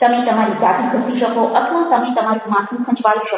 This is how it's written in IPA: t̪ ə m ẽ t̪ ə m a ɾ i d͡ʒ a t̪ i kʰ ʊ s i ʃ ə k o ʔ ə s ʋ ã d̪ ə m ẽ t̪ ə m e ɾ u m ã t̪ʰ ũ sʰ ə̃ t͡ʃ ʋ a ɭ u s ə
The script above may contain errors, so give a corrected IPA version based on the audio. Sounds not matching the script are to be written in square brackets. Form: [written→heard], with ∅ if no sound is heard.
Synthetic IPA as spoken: t̪ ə m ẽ t̪ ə m a ɾ i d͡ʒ a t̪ i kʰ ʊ s i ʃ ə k o ʔ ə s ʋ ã [d̪→t̪] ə m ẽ t̪ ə m [e→a] ɾ u m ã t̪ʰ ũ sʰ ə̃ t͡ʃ ʋ a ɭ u [s→ʃ] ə